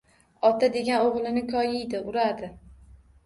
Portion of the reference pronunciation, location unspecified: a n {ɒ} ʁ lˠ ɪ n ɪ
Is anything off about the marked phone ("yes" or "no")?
yes